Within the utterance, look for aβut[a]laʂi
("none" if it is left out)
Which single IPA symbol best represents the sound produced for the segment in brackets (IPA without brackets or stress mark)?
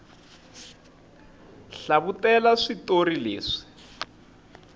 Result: ɛ